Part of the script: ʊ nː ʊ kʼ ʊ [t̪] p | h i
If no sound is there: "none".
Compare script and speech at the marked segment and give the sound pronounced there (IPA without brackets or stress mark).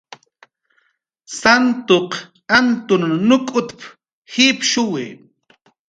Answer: t̪